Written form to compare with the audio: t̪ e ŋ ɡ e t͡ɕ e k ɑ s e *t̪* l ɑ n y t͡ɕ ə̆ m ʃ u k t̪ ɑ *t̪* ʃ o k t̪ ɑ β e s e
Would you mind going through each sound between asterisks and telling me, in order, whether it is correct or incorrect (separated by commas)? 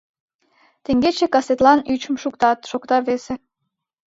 correct, correct